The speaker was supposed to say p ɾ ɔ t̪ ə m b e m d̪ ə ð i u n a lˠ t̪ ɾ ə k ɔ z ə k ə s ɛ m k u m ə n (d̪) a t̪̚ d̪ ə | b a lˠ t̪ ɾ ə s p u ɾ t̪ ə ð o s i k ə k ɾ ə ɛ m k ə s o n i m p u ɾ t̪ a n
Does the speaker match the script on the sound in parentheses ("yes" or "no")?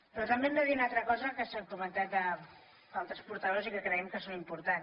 no